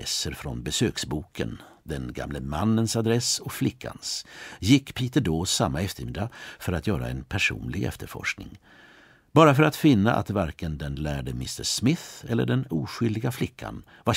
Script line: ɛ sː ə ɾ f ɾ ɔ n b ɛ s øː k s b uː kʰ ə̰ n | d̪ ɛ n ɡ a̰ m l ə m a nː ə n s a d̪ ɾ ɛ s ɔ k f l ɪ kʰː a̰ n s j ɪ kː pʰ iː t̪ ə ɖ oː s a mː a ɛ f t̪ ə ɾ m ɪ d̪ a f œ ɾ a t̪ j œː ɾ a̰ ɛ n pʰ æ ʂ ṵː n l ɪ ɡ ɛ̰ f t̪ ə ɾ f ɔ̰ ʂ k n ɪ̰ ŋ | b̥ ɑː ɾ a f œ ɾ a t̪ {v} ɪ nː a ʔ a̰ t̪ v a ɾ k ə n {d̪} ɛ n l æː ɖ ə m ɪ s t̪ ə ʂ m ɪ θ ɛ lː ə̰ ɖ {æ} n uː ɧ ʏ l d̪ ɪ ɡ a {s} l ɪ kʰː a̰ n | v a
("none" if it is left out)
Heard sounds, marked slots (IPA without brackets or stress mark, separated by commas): f, d̪, ɛ, f